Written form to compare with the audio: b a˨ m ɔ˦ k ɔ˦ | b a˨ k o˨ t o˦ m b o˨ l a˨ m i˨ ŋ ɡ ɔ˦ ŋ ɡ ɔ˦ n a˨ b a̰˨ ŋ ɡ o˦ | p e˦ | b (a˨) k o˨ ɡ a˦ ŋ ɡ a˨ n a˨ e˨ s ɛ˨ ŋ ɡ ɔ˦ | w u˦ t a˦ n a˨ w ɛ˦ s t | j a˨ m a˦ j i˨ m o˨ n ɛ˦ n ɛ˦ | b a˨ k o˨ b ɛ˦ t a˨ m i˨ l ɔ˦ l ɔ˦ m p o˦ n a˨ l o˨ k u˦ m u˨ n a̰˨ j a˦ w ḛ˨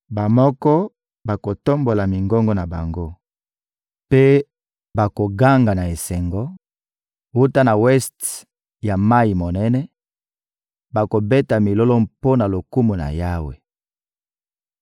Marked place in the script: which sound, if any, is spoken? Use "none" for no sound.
a˨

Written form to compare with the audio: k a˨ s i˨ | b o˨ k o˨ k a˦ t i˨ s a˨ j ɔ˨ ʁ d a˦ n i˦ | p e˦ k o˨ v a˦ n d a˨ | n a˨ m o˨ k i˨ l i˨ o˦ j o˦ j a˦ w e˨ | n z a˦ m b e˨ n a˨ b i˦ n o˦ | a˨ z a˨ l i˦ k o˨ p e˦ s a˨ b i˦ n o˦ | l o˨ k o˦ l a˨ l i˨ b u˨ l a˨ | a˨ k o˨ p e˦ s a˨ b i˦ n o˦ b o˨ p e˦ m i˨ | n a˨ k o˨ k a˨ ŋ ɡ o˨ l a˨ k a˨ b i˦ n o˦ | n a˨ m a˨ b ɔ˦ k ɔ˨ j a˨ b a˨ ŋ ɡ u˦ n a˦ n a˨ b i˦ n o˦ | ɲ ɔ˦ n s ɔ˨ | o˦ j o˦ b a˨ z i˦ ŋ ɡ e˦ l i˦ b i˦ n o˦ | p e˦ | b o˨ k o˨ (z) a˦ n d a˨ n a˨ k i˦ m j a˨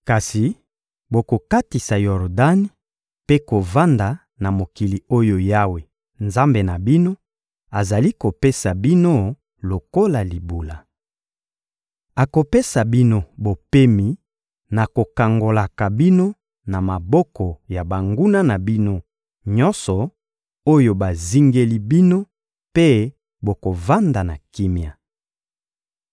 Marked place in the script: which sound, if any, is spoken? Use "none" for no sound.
v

